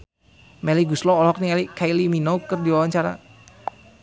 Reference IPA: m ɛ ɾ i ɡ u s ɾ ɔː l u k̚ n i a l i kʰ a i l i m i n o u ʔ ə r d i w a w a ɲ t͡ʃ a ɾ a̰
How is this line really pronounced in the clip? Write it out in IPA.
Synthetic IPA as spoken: m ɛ l i ɡ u s l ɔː l ɔ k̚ n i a l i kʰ a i l i m i n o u k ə r d i w a w a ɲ t͡ʃ a ɾ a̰